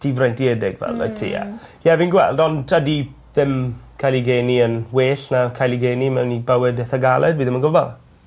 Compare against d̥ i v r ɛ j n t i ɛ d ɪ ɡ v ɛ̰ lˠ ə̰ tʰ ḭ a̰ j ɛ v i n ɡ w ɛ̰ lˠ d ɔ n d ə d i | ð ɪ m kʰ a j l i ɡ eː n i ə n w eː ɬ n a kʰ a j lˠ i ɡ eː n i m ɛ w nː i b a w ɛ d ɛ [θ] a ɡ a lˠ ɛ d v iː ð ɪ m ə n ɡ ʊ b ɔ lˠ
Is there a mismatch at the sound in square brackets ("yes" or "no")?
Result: no